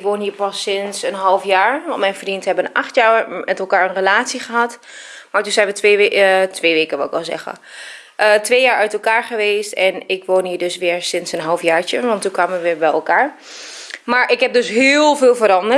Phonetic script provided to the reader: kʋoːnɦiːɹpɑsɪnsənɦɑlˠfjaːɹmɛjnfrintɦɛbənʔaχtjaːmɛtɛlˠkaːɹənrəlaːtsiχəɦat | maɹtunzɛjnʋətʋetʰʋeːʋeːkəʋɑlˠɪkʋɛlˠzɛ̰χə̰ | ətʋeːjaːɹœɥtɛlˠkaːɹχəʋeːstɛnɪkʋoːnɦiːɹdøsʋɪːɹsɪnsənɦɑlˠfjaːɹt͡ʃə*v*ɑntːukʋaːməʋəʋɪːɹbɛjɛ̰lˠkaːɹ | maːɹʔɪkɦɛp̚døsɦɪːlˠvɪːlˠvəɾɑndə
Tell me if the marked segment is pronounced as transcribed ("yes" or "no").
no